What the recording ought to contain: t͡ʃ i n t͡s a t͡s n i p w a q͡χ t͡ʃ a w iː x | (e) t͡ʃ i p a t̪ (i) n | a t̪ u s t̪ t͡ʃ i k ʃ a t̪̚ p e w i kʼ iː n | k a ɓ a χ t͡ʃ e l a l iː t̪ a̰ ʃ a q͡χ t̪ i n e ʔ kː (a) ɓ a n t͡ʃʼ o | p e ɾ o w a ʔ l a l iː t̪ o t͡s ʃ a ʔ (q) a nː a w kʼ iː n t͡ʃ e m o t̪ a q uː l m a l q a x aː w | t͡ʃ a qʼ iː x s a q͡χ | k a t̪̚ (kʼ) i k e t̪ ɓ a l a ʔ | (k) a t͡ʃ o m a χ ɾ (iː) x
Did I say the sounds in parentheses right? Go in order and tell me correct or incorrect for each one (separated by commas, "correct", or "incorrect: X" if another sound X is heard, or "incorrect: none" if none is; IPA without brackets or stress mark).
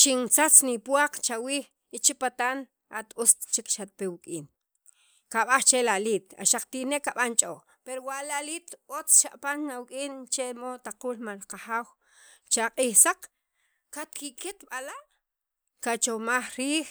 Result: incorrect: i, incorrect: a, correct, incorrect: p, incorrect: k, correct, correct